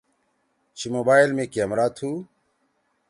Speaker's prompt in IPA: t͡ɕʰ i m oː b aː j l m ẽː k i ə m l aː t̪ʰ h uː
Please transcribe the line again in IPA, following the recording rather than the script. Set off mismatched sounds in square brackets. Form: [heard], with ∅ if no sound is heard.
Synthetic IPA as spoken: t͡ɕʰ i m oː b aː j l m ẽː k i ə m [ɾ] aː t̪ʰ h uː